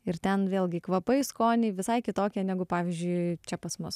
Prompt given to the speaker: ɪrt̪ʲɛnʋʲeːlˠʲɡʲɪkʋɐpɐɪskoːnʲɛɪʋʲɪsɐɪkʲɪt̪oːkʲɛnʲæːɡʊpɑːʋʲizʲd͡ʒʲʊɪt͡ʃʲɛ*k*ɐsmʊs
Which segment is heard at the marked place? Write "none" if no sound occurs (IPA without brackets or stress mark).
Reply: p